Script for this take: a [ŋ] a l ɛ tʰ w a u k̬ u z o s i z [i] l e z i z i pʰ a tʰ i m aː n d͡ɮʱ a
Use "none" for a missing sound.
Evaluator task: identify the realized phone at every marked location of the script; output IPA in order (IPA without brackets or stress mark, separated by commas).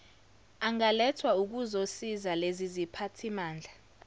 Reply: ŋ, a